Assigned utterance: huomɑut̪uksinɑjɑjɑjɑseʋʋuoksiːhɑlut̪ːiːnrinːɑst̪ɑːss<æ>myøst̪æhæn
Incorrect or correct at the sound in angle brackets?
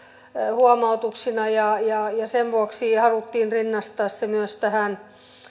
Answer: incorrect: e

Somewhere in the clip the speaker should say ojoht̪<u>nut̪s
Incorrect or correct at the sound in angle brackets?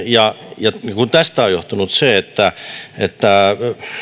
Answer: correct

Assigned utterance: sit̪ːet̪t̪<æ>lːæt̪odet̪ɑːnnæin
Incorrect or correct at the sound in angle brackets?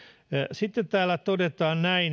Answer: incorrect: æː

